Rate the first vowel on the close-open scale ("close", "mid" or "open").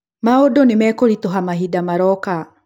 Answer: open